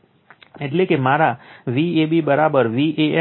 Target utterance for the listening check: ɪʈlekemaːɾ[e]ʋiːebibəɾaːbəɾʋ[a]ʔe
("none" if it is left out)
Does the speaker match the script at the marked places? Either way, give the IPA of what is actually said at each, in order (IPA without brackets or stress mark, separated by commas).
a, i